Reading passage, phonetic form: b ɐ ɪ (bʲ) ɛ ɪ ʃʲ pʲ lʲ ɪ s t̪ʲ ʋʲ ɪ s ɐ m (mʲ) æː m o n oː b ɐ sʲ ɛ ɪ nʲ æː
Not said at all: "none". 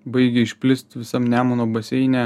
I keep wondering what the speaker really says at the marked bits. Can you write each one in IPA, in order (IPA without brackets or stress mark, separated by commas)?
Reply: ɡʲ, nʲ